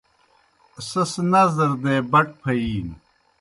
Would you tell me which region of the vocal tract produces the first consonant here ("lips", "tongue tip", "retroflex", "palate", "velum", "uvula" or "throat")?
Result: tongue tip